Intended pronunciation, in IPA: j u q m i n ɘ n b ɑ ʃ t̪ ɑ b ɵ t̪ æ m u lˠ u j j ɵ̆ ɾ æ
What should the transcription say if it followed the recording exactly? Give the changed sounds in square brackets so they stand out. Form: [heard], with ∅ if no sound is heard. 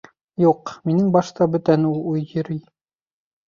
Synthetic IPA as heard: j u q m i n ɘ [ŋ] b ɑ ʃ t̪ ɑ b ɵ t̪ æ [n] u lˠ u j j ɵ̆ ɾ [i]